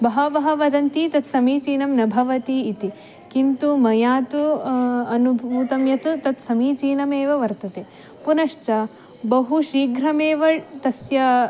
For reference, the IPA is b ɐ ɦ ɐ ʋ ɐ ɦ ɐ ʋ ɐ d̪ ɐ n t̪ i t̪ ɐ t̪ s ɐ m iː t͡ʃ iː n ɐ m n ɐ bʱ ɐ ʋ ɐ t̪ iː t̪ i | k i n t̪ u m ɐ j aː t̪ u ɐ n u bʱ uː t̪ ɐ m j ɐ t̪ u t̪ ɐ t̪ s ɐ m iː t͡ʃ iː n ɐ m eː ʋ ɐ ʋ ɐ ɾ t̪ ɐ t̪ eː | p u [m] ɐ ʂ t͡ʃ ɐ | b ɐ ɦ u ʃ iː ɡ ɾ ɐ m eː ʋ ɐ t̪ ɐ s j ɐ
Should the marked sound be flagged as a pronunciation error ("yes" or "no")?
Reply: yes